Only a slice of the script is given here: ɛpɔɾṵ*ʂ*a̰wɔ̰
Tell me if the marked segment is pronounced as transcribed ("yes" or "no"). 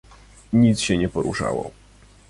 yes